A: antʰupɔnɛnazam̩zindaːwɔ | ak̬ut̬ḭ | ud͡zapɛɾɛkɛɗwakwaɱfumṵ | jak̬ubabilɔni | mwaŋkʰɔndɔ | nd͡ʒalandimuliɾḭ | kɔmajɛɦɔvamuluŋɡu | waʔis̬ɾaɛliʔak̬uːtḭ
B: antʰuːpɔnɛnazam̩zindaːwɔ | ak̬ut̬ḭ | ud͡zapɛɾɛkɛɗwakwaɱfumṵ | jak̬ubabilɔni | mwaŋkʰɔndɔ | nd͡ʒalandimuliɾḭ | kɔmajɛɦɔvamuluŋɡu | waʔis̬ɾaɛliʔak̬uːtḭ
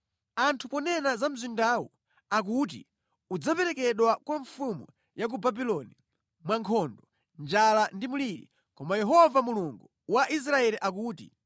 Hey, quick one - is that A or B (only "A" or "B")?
A